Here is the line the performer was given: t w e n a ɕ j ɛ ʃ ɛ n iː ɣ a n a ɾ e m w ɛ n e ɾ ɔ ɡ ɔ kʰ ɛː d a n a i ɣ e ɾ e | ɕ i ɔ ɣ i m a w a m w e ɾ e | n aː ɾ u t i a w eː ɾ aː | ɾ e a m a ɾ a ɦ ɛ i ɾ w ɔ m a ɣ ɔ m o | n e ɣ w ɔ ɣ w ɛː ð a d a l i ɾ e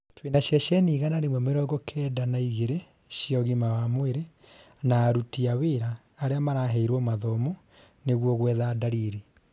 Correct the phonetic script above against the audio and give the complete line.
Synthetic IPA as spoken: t w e n a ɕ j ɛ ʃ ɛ n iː ɣ a n a ɾ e m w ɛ m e ɾ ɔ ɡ ɔ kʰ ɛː d a n a i ɣ e ɾ e | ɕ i ɔ ɣ i m a w a m w e ɾ e | n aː ɾ u t i a w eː ɾ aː | ɾ e a m a ɾ a ɦ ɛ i ɾ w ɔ m a ð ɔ m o | n e ɣ w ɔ ɣ w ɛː ð a d a ɾ i ɾ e